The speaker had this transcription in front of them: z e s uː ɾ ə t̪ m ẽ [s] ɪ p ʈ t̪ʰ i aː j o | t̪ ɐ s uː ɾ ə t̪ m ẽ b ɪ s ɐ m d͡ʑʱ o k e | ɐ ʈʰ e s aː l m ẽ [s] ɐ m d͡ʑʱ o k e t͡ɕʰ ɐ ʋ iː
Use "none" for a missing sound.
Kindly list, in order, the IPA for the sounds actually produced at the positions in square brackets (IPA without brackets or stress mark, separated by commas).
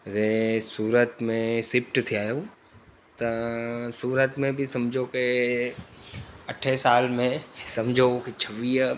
s, s